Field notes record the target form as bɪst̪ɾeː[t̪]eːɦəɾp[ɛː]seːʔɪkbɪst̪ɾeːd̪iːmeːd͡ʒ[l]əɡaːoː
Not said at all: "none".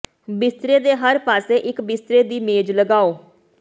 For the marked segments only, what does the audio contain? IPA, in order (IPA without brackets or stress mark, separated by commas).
d̪, aː, l